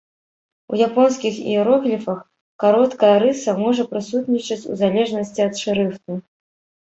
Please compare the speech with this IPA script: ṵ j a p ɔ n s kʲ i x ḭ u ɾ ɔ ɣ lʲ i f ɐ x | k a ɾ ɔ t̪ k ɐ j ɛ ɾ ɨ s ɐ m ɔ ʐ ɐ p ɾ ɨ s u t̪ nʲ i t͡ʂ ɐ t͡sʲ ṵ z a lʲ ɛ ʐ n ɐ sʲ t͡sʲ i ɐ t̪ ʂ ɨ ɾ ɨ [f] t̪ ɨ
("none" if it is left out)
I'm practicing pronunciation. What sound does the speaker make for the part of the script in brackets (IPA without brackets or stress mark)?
f